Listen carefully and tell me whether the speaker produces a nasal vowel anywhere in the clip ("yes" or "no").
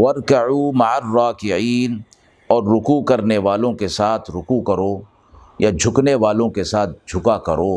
yes